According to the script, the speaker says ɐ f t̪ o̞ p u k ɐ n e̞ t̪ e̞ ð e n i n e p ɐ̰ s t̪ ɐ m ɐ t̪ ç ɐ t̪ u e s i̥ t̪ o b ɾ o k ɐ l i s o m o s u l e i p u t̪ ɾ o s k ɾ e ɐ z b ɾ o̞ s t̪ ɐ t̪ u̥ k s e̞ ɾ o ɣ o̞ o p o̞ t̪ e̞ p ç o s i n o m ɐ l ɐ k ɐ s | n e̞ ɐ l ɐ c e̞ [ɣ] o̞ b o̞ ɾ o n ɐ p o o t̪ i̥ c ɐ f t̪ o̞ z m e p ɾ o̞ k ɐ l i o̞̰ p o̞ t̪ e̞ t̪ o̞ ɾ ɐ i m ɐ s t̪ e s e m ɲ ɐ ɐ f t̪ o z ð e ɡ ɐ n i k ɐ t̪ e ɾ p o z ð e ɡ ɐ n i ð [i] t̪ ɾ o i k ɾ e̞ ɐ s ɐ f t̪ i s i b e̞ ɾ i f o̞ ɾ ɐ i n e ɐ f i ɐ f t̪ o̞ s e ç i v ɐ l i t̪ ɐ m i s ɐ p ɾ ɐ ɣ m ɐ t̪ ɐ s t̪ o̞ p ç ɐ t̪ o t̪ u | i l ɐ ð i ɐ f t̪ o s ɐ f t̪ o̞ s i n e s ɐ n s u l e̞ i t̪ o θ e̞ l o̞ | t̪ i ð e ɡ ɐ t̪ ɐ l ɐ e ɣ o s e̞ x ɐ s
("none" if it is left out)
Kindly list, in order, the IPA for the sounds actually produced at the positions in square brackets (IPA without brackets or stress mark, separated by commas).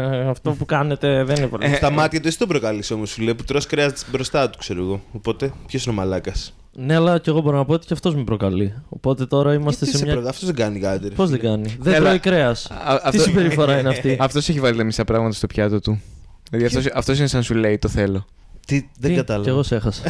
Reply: ɣ, e